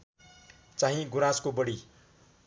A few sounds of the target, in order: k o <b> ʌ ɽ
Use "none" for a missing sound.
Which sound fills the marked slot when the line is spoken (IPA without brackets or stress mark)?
b